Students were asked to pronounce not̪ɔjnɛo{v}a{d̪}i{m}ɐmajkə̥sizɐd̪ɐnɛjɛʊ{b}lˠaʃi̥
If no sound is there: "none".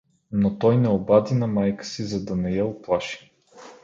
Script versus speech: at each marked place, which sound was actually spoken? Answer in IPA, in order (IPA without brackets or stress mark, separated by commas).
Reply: b, d̪, n, p